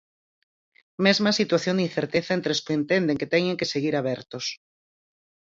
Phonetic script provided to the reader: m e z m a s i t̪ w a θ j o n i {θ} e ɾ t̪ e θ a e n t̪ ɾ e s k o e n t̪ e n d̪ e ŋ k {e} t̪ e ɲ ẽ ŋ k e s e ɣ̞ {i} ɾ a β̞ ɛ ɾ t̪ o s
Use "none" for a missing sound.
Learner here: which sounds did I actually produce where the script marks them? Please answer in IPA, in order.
θ, e, i

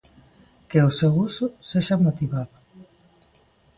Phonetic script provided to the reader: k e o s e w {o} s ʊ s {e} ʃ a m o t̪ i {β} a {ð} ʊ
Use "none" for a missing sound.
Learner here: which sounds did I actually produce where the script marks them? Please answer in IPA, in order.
u, e, β, ð

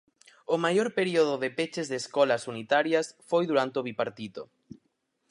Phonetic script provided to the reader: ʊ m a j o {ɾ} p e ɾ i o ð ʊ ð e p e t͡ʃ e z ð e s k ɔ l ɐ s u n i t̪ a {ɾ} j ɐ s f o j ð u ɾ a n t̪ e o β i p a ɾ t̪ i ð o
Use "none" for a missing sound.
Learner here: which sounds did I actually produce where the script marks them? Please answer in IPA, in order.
ɾ, ɾ

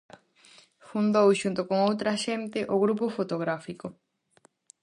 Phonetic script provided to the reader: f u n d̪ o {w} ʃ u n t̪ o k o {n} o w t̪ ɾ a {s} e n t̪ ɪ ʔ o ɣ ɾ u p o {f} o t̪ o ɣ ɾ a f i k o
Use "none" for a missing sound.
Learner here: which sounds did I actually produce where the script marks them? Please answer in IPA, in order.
w, ŋ, ʃ, f

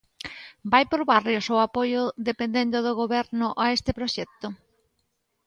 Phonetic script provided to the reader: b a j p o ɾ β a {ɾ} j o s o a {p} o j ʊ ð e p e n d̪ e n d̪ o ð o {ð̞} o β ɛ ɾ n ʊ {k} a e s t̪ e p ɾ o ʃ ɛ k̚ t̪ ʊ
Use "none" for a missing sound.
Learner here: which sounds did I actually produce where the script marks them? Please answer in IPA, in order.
r, p, ɣ̞, ʔ

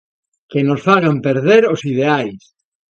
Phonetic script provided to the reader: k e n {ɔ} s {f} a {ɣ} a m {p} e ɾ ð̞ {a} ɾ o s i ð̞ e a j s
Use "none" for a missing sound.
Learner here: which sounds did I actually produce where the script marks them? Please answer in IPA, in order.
o, f, ɣ, p, e

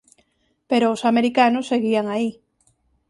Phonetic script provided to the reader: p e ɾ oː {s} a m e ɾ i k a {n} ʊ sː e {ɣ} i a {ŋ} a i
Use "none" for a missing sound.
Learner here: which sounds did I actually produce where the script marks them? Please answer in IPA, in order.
s, n, ɣ, ŋ

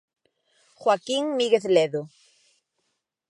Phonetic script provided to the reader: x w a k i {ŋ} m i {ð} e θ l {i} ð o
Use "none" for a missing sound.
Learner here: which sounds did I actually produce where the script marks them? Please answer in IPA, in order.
ŋ, ɣ, e

